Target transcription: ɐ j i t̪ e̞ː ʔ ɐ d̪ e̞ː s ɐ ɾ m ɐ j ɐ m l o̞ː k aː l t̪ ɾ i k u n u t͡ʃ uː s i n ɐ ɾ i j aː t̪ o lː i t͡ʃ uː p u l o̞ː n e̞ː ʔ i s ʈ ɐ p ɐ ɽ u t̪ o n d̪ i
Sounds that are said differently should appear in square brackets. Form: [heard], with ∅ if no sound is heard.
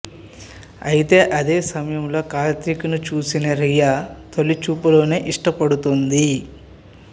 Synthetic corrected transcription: ɐ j i t̪ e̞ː ʔ ɐ d̪ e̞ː s ɐ [∅] m ɐ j ɐ m l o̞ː k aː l t̪ ɾ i k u n u t͡ʃ uː s i n ɐ ɾ i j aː t̪ o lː i t͡ʃ uː p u l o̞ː n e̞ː ʔ i [ʂ] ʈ ɐ p ɐ ɽ u t̪ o n d̪ i